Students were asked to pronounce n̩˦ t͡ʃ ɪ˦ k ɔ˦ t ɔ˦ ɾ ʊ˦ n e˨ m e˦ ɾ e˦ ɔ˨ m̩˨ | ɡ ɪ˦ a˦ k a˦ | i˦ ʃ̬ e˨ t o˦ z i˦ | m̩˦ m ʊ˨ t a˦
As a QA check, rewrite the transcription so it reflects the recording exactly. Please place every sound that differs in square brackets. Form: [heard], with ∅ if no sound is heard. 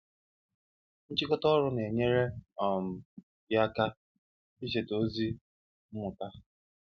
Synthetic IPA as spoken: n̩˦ t͡ʃ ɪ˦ k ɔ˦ t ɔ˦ ɾ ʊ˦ n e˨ [ɲ] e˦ ɾ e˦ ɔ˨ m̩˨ | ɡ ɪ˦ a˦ k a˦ | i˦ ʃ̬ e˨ t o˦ z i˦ | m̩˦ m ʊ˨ t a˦